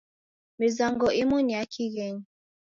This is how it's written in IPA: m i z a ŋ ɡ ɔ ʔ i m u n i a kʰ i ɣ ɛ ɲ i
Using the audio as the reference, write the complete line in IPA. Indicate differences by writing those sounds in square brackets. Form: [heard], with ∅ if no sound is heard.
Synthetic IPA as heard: m i z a ŋ ɡ ɔ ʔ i m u n i a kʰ i ɣ ɛ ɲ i